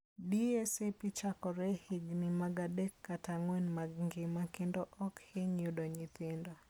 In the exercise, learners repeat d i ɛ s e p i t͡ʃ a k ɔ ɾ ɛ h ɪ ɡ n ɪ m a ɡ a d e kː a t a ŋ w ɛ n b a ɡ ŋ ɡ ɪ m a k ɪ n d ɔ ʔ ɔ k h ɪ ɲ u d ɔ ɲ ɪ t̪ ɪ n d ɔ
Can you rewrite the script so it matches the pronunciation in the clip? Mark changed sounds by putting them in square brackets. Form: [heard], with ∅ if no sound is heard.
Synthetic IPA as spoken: d i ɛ s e p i t͡ʃ a k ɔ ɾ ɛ h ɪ ɡ n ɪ m a ɡ a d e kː a t a ŋ w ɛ n [m] a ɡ ŋ ɡ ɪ m a k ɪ n d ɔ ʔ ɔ k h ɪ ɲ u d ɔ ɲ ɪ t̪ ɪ n d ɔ